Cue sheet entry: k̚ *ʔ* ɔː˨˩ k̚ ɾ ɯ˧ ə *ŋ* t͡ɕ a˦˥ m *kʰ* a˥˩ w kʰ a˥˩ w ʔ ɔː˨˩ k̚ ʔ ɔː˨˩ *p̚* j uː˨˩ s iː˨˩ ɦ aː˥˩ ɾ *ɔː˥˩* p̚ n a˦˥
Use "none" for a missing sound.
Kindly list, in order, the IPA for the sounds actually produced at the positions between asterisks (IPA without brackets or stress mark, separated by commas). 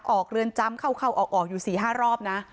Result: ʔ, n, kʰ, k̚, ɔː˥˩